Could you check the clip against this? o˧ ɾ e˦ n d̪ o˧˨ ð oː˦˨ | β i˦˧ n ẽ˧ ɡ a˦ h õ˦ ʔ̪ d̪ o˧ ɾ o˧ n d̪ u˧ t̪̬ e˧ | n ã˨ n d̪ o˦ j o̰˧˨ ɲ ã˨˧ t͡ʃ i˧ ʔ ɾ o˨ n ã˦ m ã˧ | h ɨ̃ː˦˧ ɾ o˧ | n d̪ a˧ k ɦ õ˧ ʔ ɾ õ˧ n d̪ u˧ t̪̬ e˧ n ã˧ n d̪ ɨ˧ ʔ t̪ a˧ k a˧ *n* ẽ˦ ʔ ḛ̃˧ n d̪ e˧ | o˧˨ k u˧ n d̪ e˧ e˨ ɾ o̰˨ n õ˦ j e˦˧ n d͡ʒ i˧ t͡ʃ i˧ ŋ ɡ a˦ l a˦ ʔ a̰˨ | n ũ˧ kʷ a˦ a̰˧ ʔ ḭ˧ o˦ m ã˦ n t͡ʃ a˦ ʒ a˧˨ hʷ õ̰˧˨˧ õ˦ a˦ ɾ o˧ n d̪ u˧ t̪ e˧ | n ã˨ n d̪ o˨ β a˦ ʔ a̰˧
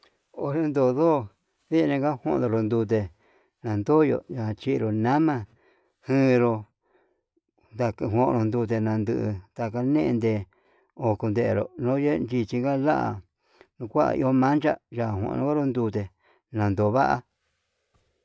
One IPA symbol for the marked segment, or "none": n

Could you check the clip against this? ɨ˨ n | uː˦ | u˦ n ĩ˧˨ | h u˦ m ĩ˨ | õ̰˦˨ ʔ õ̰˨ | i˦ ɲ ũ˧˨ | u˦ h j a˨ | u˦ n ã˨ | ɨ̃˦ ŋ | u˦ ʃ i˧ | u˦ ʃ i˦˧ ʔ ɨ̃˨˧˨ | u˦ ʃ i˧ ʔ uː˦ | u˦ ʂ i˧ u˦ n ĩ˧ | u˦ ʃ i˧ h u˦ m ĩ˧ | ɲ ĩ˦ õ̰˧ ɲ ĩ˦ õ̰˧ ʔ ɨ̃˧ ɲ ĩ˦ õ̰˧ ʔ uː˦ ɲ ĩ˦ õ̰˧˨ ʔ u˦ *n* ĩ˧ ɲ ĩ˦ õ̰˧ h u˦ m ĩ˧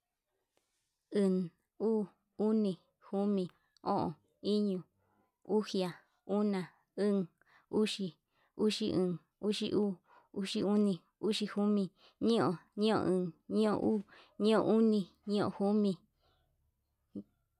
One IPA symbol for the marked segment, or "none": n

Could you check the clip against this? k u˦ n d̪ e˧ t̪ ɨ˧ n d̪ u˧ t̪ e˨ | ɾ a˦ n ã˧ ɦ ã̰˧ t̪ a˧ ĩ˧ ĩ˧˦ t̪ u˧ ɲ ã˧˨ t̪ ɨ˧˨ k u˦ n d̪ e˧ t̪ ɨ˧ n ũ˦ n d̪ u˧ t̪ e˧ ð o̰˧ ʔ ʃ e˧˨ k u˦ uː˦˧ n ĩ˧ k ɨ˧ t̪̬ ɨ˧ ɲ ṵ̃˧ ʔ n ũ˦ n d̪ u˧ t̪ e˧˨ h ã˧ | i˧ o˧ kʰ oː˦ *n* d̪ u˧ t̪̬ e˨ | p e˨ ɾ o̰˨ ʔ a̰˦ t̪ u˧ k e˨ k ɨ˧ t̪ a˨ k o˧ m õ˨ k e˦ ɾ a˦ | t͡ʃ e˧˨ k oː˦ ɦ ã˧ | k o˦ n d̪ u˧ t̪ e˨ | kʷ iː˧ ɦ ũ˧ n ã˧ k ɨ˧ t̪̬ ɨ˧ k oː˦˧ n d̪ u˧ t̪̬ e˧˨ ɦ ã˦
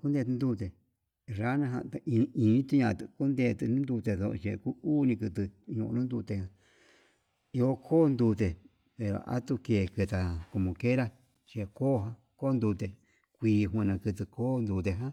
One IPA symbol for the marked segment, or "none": n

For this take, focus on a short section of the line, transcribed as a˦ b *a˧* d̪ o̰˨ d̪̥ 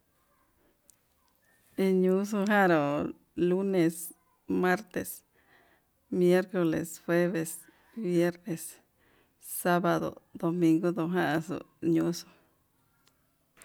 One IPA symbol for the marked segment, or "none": a˧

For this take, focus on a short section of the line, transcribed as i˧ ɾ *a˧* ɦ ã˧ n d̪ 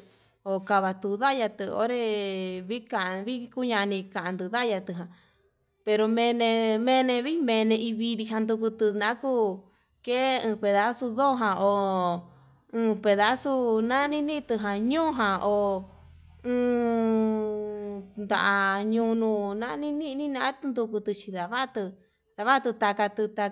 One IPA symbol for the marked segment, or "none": i˧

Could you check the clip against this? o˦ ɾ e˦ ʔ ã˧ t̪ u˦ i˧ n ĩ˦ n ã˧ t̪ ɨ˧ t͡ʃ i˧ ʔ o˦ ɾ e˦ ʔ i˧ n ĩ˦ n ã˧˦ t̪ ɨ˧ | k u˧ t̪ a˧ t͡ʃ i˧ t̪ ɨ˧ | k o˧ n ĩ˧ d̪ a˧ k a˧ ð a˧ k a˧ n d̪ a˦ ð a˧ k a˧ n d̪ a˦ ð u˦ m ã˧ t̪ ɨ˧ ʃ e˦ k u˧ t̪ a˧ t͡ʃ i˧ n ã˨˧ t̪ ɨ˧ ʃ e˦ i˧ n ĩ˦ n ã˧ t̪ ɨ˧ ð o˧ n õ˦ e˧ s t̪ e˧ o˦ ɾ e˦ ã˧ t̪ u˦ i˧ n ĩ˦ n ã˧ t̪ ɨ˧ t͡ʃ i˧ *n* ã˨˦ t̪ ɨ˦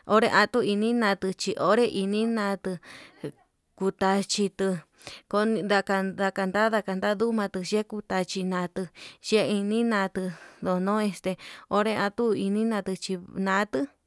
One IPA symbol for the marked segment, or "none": n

